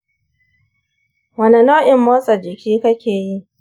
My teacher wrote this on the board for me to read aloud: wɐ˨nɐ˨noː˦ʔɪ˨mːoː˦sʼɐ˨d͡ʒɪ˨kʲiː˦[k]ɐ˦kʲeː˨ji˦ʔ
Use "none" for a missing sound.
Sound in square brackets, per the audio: k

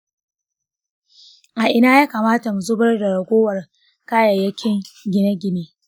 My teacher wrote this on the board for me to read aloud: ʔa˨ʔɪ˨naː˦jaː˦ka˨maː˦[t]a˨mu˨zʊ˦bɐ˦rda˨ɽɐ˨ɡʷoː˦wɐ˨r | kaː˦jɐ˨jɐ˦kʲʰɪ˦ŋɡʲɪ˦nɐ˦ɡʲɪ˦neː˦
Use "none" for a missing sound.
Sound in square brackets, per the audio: t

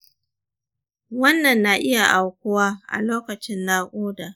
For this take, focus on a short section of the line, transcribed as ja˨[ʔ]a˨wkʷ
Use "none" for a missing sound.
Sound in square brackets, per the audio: ʔ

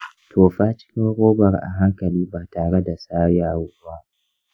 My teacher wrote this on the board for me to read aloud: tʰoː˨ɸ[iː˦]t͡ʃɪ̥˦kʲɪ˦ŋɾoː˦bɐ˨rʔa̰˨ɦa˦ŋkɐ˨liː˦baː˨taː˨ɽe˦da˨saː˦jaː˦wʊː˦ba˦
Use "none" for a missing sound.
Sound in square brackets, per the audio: aː˦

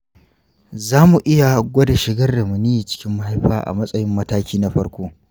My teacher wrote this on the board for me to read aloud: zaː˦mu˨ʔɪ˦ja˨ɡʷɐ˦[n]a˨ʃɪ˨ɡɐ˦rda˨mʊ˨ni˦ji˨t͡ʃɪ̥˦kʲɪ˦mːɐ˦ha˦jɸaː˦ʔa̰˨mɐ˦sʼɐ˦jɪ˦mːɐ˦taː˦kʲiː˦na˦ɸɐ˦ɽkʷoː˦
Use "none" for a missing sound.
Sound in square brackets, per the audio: d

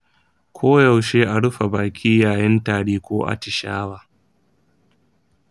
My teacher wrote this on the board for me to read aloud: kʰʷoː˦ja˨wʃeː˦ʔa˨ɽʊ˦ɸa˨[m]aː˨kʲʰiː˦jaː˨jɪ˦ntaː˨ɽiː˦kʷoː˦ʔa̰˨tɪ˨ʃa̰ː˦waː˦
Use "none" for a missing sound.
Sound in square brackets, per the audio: b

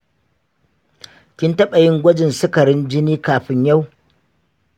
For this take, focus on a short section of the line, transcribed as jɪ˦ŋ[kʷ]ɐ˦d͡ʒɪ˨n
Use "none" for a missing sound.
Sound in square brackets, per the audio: ɡʷ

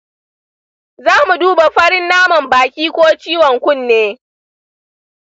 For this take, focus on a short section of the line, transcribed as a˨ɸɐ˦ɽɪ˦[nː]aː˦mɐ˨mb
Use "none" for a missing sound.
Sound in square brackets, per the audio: nː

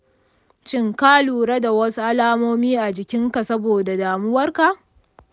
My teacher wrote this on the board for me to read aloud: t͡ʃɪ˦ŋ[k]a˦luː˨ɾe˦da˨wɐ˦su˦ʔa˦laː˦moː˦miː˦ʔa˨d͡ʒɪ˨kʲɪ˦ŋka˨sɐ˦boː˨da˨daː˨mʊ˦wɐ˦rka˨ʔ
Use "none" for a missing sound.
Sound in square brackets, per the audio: k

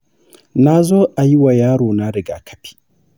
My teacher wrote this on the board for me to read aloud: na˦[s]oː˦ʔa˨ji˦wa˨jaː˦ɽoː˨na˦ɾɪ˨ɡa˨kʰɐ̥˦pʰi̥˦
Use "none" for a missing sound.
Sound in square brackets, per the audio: z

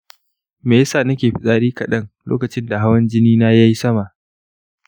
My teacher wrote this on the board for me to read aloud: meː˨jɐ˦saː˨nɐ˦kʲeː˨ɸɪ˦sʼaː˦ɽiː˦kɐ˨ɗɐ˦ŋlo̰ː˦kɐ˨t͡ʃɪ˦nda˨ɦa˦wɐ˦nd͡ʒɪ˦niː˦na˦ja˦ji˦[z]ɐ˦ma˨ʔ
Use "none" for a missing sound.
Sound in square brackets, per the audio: s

